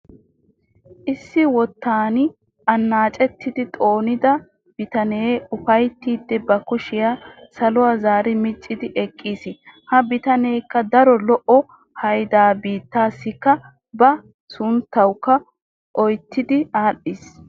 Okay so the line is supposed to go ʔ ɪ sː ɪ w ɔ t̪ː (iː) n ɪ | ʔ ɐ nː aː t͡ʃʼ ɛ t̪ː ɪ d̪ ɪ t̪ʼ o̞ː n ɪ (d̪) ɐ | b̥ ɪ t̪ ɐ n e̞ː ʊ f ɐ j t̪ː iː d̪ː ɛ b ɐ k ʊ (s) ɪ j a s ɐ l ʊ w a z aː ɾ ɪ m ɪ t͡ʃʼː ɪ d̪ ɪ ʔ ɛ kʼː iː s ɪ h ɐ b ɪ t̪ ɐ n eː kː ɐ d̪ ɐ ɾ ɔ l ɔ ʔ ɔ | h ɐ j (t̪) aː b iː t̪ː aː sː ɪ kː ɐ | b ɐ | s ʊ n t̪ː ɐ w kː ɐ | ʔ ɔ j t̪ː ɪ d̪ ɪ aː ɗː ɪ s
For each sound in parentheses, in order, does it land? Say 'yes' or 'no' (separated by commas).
no, yes, no, no